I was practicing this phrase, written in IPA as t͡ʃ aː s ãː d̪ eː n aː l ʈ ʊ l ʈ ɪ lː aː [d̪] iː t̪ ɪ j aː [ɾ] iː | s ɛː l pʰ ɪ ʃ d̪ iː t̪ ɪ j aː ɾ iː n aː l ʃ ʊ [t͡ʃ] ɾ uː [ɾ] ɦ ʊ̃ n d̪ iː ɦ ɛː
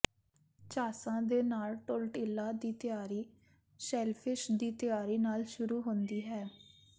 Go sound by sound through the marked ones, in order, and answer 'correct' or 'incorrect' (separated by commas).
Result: correct, correct, incorrect, incorrect